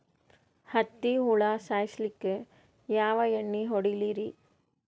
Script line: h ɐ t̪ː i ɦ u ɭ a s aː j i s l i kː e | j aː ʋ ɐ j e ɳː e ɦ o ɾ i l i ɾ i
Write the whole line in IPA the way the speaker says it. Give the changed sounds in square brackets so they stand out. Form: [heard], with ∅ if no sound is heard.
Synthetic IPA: h ɐ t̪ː i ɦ u ɭ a s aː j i s l i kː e | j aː ʋ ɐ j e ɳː [i] ɦ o [ɽ] i l i ɾ i